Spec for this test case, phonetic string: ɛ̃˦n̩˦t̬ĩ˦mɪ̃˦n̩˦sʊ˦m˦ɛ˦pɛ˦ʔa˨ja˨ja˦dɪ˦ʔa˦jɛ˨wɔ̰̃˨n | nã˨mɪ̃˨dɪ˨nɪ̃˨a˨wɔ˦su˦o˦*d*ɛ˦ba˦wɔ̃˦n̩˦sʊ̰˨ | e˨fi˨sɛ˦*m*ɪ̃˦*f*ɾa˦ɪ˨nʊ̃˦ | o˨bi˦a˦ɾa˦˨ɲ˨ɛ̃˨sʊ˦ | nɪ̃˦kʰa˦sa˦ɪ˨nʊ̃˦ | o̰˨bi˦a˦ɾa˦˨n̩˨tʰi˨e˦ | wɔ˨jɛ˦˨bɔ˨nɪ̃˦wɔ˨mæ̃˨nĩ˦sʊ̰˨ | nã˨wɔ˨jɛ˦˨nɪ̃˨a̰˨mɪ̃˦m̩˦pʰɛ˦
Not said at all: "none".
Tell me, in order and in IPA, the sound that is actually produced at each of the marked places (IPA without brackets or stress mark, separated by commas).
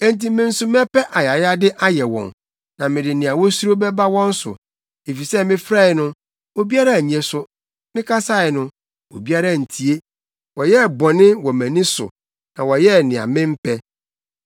b, m, f